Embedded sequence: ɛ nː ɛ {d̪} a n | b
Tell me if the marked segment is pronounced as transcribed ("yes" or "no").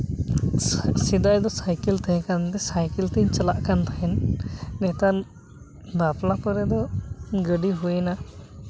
no